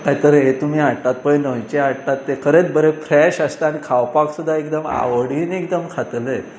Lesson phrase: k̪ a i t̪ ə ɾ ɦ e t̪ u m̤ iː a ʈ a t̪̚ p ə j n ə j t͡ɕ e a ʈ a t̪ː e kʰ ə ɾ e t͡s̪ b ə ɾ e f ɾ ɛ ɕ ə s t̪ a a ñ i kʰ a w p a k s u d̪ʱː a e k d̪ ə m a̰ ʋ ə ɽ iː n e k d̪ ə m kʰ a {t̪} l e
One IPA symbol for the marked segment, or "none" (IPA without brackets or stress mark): t̪